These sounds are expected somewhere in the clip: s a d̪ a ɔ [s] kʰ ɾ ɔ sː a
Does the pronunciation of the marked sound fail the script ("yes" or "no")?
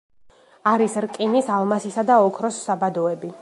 yes